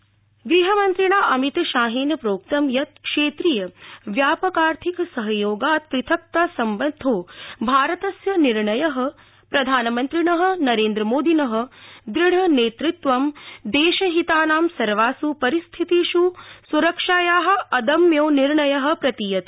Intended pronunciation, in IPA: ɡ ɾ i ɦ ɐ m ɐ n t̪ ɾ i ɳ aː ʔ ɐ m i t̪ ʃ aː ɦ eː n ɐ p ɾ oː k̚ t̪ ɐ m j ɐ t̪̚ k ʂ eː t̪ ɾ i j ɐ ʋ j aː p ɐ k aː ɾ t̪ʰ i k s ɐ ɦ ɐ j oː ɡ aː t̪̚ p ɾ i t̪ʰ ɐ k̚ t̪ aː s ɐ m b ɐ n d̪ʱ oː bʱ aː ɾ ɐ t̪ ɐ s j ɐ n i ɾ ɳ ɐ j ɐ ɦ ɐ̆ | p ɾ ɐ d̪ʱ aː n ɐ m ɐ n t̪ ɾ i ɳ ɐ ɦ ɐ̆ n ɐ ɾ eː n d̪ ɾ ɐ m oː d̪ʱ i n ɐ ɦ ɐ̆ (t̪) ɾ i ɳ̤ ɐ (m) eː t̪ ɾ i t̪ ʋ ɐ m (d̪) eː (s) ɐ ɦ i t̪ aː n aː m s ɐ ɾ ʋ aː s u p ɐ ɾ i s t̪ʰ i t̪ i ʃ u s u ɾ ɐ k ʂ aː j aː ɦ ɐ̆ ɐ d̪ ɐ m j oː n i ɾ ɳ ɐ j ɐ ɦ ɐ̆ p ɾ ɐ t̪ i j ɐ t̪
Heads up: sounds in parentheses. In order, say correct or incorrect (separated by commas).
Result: incorrect, incorrect, correct, incorrect